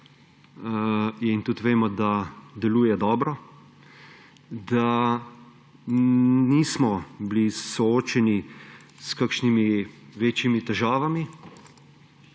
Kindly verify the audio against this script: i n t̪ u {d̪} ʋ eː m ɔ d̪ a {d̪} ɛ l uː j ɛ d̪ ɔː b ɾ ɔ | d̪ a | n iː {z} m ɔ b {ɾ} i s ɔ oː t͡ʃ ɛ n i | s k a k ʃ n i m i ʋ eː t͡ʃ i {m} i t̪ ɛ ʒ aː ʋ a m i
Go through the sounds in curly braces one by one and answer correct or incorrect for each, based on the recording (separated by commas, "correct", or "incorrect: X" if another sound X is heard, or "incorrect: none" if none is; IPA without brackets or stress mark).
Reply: incorrect: t̪, correct, incorrect: s, incorrect: l, correct